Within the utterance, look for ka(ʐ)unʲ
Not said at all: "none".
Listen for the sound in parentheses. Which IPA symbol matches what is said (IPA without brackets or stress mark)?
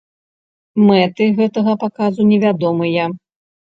z